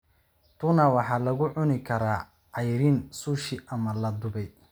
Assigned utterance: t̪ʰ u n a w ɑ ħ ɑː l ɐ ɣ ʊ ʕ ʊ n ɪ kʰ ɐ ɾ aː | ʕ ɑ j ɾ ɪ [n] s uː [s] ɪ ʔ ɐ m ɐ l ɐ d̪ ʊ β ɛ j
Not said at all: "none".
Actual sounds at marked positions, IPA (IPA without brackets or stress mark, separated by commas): n, ʃ